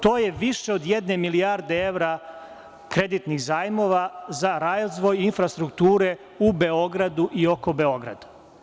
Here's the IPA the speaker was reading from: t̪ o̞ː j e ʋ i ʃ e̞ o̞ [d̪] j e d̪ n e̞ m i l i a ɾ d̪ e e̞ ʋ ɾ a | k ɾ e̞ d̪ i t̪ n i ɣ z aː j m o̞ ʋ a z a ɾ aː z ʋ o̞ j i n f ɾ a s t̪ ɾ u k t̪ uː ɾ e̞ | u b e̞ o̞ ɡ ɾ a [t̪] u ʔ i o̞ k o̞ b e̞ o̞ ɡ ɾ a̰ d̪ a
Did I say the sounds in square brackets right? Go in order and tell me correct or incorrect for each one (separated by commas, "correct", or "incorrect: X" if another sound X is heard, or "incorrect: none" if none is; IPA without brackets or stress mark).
correct, incorrect: d̪